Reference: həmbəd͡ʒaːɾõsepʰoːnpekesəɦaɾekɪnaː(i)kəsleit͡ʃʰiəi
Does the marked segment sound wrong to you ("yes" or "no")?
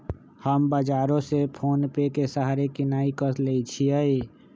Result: no